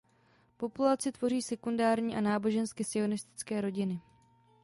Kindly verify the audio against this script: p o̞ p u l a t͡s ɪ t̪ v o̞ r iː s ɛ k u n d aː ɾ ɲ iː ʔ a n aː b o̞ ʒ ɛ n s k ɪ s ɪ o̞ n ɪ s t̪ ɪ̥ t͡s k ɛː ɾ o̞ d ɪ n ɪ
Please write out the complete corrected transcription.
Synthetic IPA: p o̞ p u l a t͡s ɪ t̪ v o̞ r iː s ɛ k u n d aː ɾ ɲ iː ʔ a n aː b o̞ ʒ ɛ n s k ɪ s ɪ o̞ n ɪ s t̪ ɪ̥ t͡s k ɛː ɾ o̞ ɟ ɪ n ɪ